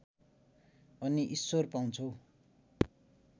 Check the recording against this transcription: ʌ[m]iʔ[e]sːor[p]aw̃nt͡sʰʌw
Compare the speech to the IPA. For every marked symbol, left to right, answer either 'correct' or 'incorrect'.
incorrect: n, incorrect: i, correct

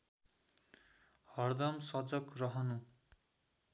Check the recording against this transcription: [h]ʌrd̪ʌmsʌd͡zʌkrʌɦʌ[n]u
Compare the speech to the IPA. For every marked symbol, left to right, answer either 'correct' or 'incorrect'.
correct, correct

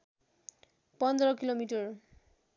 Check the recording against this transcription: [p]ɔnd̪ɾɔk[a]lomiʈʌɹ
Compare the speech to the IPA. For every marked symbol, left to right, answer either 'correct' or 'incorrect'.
correct, incorrect: i

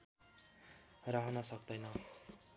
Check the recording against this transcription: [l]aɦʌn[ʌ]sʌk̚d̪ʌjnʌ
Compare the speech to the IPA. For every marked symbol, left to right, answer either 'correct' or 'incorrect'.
incorrect: r, correct

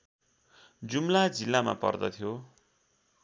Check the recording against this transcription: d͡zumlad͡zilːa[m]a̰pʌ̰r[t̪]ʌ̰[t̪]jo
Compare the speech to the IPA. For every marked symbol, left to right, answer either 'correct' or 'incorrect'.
correct, incorrect: d̪, incorrect: t̪ʰ

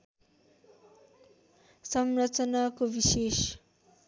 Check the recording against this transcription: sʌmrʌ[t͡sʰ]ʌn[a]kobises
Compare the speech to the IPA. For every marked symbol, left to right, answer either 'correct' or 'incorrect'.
incorrect: t͡s, correct

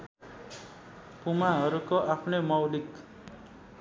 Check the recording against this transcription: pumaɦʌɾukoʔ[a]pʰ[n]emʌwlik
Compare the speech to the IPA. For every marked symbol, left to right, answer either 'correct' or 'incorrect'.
correct, correct

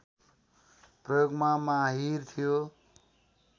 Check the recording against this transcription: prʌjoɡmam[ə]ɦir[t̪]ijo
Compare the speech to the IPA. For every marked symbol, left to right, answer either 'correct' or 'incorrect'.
incorrect: a, incorrect: t̪ʰ

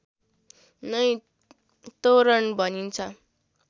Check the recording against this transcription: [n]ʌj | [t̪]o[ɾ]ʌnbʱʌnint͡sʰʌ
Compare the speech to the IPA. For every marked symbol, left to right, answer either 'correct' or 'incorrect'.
correct, correct, correct

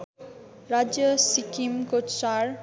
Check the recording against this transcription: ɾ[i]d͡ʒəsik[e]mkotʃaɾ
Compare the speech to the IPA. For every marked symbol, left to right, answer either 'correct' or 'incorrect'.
incorrect: a, incorrect: i

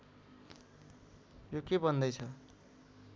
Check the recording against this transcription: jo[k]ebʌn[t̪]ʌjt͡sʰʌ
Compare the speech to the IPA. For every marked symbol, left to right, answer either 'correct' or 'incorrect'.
correct, incorrect: d̪

